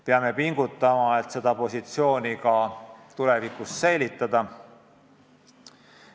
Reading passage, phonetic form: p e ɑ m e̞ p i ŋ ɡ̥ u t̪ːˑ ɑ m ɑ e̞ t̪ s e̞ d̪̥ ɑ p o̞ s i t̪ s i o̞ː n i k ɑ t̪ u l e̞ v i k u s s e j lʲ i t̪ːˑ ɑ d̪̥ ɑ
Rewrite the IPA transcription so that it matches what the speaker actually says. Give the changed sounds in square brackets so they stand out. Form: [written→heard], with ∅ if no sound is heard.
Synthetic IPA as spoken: p e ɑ m e̞ p i ŋ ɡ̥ u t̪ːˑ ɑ m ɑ e̞ t̪ s e̞ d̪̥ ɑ p o̞ s i t̪ s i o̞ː n i k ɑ t̪ u l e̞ v i k u s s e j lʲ i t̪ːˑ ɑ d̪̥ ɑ